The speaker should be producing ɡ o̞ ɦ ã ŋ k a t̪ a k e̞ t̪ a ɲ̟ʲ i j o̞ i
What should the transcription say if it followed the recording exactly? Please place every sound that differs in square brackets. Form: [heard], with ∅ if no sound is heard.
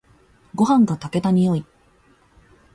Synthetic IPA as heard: ɡ o̞ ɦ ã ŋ [ɡ] a t̪ a k e̞ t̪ a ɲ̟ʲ i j o̞ i

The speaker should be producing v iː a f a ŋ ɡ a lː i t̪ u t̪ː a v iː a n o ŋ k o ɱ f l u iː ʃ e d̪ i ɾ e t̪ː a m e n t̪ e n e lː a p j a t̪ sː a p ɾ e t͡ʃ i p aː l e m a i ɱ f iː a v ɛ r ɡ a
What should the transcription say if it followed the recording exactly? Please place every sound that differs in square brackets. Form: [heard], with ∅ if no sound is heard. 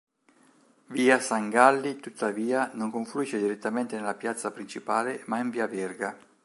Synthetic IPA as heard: v iː a [s] a ŋ ɡ a lː i t̪ u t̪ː a v iː a n o ŋ k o ɱ f l u iː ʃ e d̪ i ɾ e t̪ː a m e n t̪ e n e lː a p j a t̪ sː a p ɾ [i] t͡ʃ i p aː l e m a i ɱ [v] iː a v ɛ r ɡ a

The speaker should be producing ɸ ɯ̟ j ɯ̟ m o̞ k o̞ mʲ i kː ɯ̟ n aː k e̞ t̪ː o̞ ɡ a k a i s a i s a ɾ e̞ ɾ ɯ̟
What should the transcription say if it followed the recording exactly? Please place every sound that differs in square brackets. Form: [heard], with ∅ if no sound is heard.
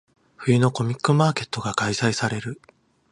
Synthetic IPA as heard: ɸ ɯ̟ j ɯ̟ [n] o̞ k o̞ mʲ i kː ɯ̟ [m] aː k e̞ t̪ː o̞ ɡ a k a i s a i s a ɾ e̞ ɾ ɯ̟

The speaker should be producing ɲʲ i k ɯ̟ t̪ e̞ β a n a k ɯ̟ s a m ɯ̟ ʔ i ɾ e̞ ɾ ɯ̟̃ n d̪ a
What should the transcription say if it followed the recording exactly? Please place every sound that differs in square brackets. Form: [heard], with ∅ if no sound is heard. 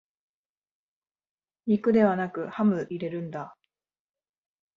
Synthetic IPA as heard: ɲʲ i k ɯ̟ [d̪] e̞ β a n a k ɯ̟ [h] a m ɯ̟ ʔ i ɾ e̞ ɾ ɯ̟̃ n d̪ a

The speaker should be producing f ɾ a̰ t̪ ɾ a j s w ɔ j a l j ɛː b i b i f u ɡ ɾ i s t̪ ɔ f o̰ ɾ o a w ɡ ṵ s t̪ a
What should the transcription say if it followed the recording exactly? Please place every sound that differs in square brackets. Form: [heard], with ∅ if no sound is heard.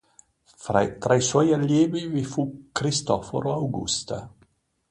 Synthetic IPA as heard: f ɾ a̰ t̪ ɾ a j s w ɔ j a l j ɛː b i [v] i f u [k] ɾ i s t̪ ɔ f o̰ ɾ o a w ɡ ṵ s t̪ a

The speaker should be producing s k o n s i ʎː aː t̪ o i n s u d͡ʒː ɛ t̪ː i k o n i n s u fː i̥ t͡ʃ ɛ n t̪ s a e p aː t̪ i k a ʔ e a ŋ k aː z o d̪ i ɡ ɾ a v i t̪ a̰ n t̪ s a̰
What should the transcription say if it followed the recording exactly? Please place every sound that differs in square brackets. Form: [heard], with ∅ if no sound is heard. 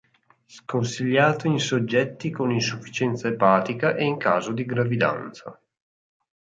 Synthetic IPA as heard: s k o n s i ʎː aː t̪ o i n s [o] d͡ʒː ɛ t̪ː i k o n i n s u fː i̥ t͡ʃ ɛ n t̪ s a e p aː t̪ i k a ʔ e [i] ŋ k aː z o d̪ i ɡ ɾ a v i [d̪] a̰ n t̪ s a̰

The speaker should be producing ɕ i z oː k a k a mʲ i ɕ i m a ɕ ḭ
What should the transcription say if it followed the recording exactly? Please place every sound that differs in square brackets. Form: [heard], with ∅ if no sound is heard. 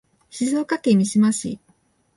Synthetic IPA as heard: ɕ i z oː k a k [e] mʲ i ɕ i m a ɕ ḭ

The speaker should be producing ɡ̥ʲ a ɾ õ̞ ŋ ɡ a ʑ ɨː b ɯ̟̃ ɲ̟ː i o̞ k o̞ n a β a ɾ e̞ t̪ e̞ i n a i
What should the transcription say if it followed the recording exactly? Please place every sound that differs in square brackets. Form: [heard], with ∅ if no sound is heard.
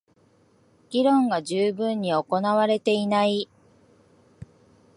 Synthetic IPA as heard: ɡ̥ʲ [i] ɾ õ̞ ŋ ɡ a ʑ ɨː b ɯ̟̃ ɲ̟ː i o̞ k o̞ n a β a ɾ e̞ t̪ e̞ i n a i

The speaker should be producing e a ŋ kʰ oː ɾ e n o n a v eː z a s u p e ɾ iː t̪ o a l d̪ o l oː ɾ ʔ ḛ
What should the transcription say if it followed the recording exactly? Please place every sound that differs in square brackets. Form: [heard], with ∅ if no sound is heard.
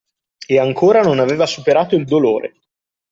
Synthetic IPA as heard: e a ŋ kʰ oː ɾ [a] n o n a v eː [v] a s u p e ɾ [aː] t̪ o [i] l d̪ o l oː ɾ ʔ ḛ

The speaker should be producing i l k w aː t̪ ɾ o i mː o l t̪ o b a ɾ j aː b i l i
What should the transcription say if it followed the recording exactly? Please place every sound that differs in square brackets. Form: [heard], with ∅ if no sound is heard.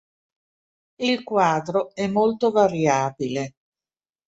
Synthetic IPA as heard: i l k w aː [d̪] ɾ o [ɛ] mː o l t̪ o [v] a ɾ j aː b i l [e]

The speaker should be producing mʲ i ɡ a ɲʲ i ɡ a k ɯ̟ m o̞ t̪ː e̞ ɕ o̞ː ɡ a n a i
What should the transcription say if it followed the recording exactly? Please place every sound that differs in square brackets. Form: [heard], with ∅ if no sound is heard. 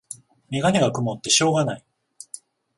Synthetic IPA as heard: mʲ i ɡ a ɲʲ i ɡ a k ɯ̟ m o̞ t̪ː e̞ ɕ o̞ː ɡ a n a i

